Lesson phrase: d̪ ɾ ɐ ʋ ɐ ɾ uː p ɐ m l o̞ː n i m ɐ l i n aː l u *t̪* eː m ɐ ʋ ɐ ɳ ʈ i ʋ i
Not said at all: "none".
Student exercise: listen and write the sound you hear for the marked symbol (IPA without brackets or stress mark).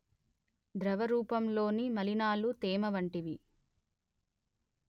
t̪